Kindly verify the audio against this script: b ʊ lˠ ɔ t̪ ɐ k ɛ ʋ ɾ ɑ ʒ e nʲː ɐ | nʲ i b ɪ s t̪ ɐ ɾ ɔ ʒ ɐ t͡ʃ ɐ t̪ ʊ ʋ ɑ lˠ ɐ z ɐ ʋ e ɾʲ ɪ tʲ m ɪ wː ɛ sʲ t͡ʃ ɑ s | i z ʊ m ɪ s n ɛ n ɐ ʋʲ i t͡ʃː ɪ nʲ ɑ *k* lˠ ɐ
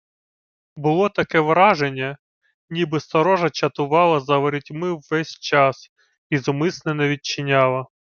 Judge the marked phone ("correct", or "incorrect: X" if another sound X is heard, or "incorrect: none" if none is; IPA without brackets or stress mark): incorrect: none